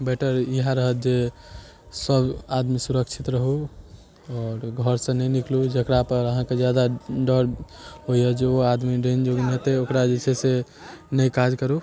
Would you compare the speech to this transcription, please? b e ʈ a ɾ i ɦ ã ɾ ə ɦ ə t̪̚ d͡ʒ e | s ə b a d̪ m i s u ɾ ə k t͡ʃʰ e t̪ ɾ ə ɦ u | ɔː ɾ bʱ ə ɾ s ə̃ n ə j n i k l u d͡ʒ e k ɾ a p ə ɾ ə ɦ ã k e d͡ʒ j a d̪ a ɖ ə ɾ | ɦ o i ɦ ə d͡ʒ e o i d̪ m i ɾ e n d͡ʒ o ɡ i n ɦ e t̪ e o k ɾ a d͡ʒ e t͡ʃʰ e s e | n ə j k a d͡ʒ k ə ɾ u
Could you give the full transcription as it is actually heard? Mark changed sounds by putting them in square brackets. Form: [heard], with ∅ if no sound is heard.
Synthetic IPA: b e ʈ [ə] ɾ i ɦ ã ɾ ə ɦ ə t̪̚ d͡ʒ e | s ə b a d̪ m i s u ɾ ə k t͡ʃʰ [i] t̪ ɾ ə ɦ u | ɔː ɾ [ɡʱ] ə ɾ s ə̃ n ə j n i k l u d͡ʒ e k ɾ a p ə ɾ ə ɦ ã k e d͡ʒ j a d̪ a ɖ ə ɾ | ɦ o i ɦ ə d͡ʒ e o [a] d̪ m i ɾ e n d͡ʒ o ɡ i n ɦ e t̪ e o k ɾ a d͡ʒ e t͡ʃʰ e s e | n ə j k a d͡ʒ k ə ɾ u